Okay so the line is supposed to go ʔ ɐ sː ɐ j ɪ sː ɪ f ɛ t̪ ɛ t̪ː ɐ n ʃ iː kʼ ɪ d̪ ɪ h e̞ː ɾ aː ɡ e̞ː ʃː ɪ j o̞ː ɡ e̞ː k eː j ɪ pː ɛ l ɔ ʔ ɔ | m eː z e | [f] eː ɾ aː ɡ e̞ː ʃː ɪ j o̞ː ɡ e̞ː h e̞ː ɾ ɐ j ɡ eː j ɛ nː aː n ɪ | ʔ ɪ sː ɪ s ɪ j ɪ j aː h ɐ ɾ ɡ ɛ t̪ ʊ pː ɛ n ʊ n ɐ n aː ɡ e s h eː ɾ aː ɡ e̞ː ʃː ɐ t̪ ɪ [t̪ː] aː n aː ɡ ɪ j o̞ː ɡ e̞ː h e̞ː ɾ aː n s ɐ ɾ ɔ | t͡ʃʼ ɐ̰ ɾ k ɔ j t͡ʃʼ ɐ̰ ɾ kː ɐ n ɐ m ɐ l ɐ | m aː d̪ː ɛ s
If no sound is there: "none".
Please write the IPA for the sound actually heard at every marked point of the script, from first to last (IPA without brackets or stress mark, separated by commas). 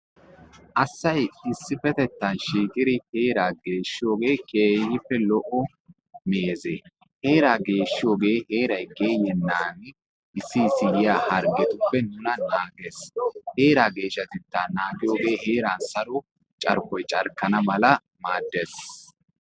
h, t̪ː